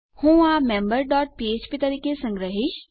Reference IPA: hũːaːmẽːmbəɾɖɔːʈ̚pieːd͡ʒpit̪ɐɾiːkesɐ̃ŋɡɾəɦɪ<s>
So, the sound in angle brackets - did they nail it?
no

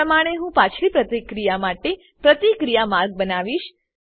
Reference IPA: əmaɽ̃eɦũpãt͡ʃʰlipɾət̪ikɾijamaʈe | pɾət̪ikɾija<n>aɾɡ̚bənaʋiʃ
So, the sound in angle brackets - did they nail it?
no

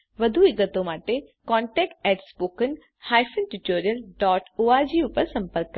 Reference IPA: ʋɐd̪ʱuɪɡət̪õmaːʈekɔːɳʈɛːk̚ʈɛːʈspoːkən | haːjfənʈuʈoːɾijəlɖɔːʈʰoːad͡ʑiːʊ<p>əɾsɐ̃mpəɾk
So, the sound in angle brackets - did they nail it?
yes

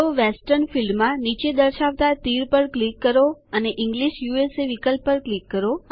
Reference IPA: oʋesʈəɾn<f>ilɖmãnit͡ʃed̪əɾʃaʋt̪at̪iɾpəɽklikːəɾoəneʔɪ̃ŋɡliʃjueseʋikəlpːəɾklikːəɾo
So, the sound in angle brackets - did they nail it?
yes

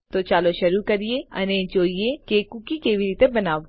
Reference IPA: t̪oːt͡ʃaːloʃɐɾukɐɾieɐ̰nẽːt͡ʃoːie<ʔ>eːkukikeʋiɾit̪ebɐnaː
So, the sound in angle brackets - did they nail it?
no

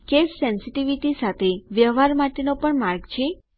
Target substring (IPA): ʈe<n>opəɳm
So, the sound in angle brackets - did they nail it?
yes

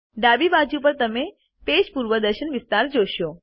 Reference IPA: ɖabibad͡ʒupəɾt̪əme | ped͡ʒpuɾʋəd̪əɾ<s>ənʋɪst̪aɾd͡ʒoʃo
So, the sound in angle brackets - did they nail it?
no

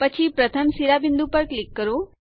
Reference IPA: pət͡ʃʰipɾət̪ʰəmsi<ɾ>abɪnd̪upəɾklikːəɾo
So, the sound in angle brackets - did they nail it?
yes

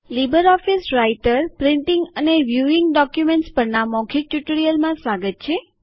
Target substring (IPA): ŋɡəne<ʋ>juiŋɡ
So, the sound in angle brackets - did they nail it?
yes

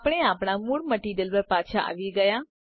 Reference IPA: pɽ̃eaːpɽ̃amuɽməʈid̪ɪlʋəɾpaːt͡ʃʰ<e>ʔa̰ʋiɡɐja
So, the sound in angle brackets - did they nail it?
no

